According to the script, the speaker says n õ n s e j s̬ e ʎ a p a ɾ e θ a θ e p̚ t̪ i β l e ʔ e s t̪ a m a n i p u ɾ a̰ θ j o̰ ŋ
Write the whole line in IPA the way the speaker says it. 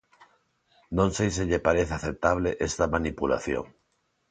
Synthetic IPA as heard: n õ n s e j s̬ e ʎ e p a ɾ e θ a θ e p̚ t̪ a β l e ʔ e s t̪ a m a n i p u l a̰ θ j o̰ ŋ